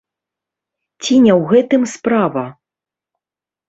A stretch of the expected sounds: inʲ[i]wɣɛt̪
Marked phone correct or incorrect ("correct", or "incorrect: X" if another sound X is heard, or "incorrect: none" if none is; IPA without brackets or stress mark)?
incorrect: ɛ